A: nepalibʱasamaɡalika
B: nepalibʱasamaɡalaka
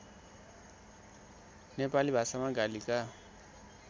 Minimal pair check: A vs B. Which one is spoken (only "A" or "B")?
A